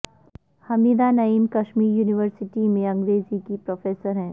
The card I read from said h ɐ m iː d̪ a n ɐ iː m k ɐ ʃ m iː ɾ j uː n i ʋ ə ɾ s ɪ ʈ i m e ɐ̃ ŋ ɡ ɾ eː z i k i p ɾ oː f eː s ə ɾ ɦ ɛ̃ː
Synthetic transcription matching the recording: h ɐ m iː d̪ a n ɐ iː m k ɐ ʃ m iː ɾ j uː n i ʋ ə ɾ s ɪ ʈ i m ẽ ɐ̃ ŋ ɡ ɾ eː z i k i p ɾ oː f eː s ə ɾ ɦ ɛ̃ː